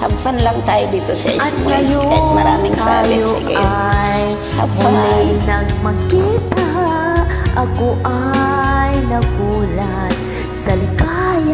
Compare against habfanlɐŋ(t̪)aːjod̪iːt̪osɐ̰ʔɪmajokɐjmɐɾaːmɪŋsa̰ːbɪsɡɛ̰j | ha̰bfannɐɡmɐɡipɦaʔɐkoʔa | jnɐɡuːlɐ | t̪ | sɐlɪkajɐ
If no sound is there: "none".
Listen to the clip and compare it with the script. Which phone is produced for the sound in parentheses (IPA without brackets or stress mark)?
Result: t̪